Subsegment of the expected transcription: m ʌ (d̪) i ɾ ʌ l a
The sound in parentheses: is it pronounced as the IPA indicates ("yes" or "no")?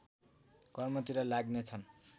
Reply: no